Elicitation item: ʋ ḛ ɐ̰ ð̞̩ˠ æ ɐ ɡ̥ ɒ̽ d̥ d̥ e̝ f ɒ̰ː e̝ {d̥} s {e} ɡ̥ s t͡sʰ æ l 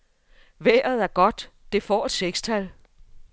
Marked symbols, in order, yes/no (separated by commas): yes, yes